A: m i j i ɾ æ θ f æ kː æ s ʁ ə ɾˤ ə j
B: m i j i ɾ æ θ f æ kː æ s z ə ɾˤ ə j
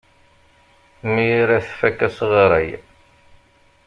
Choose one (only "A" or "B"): A